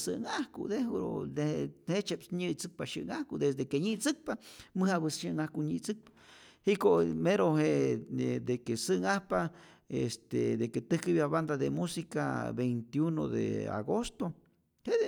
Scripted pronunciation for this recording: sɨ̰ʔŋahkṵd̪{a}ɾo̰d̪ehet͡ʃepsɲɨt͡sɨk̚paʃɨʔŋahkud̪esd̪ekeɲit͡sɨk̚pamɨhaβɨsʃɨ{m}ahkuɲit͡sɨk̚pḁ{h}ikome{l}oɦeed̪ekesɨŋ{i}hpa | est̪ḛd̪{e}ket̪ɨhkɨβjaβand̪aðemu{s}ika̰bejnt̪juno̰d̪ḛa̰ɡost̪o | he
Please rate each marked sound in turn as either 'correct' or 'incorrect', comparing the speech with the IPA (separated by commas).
incorrect, incorrect, correct, incorrect, incorrect, correct, correct